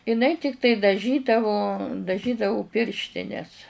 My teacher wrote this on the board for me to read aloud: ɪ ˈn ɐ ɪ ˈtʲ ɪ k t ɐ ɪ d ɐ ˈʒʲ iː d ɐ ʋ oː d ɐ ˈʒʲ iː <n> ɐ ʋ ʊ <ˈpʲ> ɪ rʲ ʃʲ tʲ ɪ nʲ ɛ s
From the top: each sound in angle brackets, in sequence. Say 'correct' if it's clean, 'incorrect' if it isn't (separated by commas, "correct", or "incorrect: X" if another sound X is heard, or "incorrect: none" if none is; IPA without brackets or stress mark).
incorrect: d, correct